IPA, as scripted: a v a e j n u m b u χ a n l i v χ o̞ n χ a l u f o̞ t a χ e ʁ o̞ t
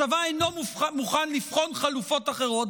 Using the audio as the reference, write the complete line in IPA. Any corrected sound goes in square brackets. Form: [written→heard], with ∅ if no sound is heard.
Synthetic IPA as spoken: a v a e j n [u→o] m [b→m] u χ a n l i [v→f] χ o̞ n χ a l u f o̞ t a χ e ʁ o̞ t